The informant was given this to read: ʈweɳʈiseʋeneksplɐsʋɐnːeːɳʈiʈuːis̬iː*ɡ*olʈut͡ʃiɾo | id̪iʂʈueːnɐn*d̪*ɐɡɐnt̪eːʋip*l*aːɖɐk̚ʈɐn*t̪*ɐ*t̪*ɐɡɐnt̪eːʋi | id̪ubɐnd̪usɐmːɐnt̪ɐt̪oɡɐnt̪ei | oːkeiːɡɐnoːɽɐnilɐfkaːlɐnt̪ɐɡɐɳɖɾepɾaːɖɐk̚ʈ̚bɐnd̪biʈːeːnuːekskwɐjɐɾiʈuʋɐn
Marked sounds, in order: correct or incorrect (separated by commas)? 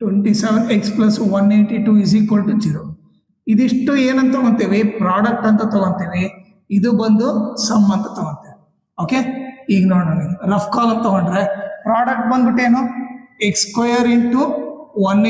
incorrect, incorrect, incorrect, correct, correct